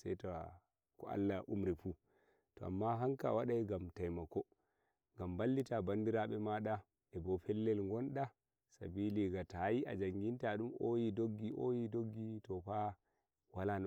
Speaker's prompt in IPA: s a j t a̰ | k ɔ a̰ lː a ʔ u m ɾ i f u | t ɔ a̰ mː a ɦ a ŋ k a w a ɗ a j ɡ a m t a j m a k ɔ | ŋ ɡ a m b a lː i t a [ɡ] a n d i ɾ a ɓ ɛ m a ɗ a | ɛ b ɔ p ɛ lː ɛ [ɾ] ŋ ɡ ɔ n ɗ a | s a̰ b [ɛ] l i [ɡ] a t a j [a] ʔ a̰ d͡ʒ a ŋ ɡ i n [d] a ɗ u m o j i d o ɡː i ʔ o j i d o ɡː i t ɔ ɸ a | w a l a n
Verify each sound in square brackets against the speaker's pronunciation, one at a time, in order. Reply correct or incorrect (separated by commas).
incorrect, incorrect, incorrect, correct, incorrect, incorrect